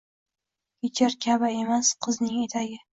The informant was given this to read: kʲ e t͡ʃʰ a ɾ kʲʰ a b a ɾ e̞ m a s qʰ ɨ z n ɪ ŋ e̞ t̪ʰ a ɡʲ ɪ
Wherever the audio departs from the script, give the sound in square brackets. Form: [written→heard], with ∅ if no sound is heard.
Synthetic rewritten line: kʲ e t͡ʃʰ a ɾ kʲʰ a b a [ɾ→∅] e̞ m a s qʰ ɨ z n ɪ ŋ e̞ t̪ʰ a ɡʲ ɪ